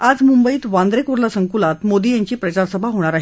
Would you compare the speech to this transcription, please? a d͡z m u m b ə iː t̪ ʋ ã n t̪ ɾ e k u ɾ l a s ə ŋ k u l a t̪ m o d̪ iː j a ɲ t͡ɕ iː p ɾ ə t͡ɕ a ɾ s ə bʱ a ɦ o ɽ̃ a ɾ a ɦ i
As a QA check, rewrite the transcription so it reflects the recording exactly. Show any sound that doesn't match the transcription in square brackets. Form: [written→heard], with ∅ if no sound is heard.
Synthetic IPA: a d͡z m u m b ə iː t̪ ʋ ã n [t̪→d̪] ɾ e k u ɾ l a s ə ŋ k u l a t̪ m o d̪ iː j a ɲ t͡ɕ iː p ɾ ə t͡ɕ a ɾ s ə bʱ a ɦ o ɽ̃ a ɾ a ɦ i